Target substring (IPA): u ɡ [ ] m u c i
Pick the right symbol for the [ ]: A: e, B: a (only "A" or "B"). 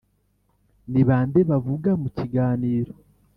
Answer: B